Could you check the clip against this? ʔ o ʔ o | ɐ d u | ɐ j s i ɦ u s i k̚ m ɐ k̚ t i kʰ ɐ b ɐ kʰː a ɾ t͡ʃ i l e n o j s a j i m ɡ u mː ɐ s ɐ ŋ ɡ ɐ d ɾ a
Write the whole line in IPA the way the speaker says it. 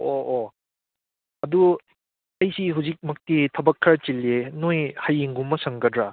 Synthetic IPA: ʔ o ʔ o | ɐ d u | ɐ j s i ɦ u z i k̚ m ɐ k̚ t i tʰ ɐ b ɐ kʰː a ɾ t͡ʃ i l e n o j h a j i ŋ ɡ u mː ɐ s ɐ ŋ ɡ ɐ d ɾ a